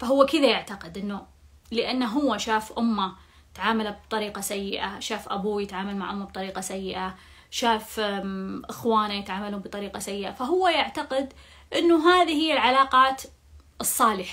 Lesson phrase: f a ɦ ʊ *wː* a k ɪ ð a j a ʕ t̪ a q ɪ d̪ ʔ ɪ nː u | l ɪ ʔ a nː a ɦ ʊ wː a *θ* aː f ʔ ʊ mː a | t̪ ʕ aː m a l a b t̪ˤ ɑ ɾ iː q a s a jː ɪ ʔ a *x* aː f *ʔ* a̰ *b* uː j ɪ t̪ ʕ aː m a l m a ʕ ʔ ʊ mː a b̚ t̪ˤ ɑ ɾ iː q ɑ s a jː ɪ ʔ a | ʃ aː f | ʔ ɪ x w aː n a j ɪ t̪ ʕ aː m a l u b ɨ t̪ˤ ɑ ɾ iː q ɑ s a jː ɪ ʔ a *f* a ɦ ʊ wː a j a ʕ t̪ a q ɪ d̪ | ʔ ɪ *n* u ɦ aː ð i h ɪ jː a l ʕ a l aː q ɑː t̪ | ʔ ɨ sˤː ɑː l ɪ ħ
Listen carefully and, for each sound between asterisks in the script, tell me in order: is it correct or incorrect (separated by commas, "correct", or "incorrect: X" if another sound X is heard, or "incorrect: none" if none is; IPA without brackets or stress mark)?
correct, incorrect: ʃ, incorrect: ʃ, correct, correct, correct, incorrect: nː